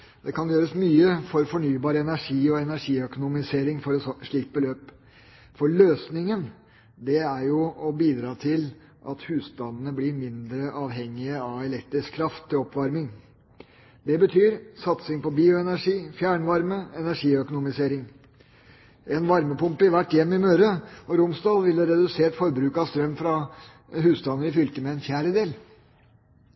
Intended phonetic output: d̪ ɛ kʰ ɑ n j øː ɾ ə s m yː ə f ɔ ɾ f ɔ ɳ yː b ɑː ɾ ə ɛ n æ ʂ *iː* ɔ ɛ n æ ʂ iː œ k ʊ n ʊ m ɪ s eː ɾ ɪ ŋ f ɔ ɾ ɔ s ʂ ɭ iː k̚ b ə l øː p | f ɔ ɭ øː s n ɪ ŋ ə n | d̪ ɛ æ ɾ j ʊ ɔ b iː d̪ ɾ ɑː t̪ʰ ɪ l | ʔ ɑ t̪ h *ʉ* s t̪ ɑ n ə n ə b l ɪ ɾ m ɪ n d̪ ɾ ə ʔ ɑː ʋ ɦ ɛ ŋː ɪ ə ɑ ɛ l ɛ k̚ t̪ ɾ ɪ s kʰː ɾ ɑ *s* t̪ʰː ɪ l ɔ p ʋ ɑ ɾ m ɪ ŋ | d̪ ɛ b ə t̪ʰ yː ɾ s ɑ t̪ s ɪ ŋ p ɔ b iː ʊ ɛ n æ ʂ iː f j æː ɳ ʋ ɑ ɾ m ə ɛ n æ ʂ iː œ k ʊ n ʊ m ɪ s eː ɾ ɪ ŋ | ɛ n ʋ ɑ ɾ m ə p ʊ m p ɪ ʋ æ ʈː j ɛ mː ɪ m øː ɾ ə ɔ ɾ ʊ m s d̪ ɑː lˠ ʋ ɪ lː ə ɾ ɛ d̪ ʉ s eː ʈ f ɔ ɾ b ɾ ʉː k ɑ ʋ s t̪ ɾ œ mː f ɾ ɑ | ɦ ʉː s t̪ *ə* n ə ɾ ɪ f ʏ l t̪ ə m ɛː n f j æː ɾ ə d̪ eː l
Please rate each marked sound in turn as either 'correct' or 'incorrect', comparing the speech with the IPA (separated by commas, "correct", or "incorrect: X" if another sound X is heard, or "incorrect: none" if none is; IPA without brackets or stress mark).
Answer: correct, incorrect: ʉː, incorrect: f, incorrect: ɑ